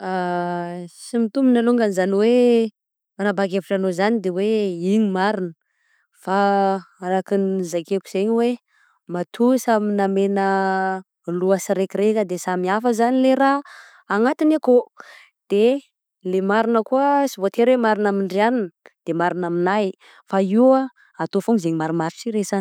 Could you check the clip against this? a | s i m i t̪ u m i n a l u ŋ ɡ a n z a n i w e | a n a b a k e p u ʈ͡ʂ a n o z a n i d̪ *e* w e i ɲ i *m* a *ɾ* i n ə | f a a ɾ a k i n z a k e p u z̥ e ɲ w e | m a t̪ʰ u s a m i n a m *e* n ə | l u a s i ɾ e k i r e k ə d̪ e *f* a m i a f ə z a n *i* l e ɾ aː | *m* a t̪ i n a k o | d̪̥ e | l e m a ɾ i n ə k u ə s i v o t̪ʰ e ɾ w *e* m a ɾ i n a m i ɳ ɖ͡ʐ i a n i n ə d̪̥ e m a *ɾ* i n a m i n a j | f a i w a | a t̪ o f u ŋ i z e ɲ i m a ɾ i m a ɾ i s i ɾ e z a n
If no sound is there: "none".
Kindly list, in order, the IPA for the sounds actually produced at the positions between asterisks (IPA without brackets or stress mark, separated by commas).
e, m, ɾ, e, s, i, ŋ, e, ɾ